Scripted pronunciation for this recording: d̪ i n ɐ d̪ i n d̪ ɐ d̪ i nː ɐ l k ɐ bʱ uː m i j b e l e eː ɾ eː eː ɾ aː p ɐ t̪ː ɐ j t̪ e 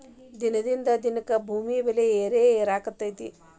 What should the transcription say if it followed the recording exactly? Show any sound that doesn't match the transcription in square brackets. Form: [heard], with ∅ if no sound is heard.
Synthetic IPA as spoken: d̪ i n ɐ d̪ i n d̪ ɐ d̪ i [n] ɐ [∅] k ɐ bʱ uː m i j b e l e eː ɾ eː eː ɾ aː [k] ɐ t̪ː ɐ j t̪ [i]